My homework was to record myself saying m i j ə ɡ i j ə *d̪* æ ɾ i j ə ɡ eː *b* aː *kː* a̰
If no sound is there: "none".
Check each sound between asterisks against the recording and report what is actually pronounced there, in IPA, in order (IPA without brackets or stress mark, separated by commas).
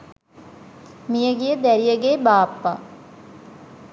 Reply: d̪, b, pː